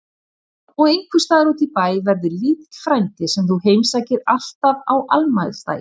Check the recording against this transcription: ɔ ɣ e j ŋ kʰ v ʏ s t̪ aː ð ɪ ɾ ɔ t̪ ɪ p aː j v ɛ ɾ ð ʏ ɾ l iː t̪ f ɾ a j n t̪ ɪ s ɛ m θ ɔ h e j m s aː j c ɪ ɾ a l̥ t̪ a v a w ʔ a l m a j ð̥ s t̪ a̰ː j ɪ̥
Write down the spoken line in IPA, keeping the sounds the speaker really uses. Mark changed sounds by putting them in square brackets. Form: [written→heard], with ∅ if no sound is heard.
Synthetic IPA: ɔ ɣ e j ŋ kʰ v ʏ s t̪ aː ð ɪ ɾ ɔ t̪ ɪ p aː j v ɛ ɾ ð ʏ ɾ l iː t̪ f ɾ a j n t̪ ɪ s ɛ m θ [ɔ→u] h e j m s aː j c ɪ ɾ a l̥ t̪ a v a w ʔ a l m a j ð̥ s t̪ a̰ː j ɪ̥